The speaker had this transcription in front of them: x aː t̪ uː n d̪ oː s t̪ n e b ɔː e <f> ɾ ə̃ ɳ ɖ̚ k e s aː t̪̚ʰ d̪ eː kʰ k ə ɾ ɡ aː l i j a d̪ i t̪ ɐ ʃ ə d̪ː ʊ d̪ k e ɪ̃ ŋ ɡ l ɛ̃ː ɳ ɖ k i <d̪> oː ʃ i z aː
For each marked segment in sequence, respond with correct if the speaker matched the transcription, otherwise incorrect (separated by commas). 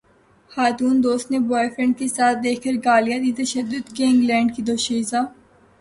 correct, correct